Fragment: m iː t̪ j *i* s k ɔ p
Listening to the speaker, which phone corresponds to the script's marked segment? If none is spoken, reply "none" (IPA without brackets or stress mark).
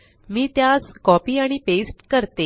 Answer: a